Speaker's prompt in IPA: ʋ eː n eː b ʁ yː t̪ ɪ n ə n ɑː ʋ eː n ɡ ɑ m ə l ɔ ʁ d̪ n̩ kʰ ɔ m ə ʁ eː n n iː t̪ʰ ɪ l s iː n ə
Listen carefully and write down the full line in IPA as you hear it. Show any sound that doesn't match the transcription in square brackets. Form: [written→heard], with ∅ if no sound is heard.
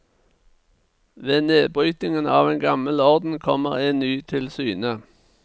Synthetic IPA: ʋ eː n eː b ʁ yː t̪ ɪ [n→ŋ] ə n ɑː ʋ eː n ɡ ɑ m ə l ɔ ʁ d̪ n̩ kʰ ɔ m ə ʁ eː n n [iː→yː] t̪ʰ ɪ l s [iː→yː] n ə